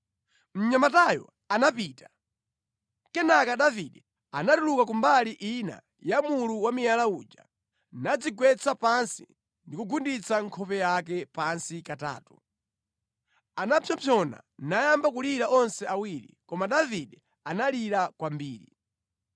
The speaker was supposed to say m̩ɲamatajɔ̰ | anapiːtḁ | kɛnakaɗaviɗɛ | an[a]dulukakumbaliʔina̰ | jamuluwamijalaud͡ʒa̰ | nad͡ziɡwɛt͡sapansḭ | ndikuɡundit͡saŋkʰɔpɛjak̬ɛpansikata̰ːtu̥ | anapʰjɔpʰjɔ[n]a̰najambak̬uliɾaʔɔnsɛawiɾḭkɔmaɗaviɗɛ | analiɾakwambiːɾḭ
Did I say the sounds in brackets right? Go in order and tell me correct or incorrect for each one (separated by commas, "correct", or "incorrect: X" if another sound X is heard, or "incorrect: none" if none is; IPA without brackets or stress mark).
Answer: correct, correct